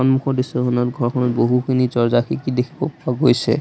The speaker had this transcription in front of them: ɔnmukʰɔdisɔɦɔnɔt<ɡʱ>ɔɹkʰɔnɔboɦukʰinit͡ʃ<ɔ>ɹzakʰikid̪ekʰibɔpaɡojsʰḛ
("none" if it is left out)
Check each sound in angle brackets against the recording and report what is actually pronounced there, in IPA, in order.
ɡʱ, ɔ

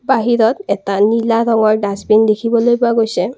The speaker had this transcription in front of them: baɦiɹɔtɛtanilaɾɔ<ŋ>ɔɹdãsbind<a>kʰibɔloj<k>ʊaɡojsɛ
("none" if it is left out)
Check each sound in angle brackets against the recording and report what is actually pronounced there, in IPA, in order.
ŋ, e, p

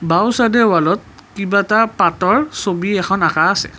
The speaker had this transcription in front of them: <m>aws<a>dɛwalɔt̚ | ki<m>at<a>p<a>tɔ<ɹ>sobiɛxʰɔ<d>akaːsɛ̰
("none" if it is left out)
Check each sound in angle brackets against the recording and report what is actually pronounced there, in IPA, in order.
b, a, b, a, a, ɹ, n

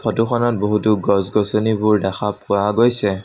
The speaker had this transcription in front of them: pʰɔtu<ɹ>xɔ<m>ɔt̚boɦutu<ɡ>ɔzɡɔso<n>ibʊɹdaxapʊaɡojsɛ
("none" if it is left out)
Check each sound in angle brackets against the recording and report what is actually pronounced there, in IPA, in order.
none, n, ɡ, n

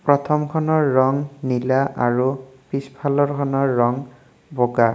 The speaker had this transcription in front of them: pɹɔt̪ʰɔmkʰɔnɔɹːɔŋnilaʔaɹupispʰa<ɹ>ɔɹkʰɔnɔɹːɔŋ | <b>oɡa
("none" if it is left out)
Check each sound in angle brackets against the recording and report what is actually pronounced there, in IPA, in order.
l, b

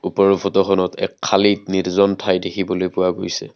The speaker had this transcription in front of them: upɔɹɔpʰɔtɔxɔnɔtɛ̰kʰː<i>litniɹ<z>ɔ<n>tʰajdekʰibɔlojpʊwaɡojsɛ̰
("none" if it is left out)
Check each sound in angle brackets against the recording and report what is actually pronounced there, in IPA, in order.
a, z, n

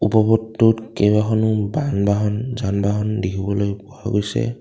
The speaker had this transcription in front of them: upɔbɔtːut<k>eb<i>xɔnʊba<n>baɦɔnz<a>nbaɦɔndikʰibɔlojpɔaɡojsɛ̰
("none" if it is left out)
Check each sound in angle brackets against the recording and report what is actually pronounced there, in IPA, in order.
k, a, n, a

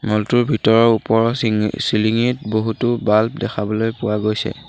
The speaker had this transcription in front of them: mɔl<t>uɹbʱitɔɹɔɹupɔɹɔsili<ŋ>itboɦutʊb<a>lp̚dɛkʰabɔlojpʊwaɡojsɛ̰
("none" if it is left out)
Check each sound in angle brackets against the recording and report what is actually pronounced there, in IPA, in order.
t, ŋ, a

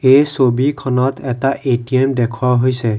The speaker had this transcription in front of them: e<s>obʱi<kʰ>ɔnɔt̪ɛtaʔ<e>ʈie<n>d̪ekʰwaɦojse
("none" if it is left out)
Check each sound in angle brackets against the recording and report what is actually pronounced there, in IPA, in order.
s, kʰ, e, m

